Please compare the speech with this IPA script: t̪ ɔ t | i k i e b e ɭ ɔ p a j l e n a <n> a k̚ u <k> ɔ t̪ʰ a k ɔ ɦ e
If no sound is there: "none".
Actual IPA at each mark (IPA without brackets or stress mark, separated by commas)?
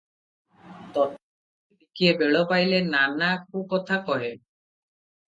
n, k